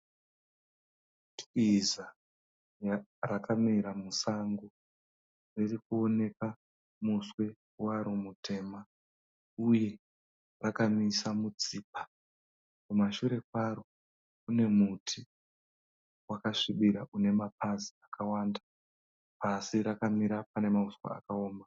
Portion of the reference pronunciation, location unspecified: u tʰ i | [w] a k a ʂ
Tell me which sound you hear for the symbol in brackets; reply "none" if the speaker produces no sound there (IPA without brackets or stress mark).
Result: w